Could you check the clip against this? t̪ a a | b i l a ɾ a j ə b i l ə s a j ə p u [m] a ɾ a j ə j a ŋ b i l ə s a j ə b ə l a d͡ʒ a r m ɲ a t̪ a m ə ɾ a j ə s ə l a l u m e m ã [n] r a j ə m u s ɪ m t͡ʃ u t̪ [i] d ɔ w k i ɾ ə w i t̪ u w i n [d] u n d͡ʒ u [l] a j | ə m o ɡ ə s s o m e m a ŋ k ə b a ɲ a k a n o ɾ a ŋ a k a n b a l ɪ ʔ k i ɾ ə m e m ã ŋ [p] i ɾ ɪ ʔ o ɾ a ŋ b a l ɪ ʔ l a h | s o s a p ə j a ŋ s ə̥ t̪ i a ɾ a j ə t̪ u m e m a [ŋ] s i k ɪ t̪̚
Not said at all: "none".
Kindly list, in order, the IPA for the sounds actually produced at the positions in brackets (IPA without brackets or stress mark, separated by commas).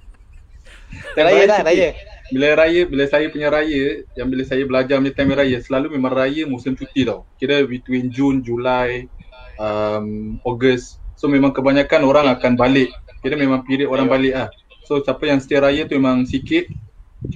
ɲ, ŋ, i, d͡ʒ, l, p, ŋ